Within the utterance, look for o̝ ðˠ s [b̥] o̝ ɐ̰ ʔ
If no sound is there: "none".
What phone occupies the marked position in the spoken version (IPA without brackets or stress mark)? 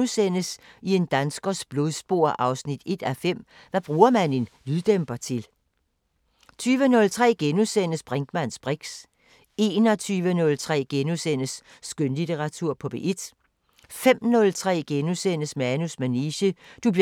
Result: b̥